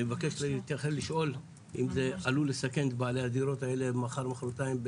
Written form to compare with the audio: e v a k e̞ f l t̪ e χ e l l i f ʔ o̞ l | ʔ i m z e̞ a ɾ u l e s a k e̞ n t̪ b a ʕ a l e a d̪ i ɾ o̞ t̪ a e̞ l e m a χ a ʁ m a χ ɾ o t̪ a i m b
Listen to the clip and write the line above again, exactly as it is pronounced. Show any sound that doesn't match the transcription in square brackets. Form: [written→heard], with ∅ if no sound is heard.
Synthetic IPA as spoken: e v a k e̞ [f→ʃ] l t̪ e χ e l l i [f→ʃ] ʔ o̞ l | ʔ i m z e̞ a [ɾ→l] u l e s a k e̞ n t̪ b a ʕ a l e a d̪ i ɾ o̞ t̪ a e̞ l e m a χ a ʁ m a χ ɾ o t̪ a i m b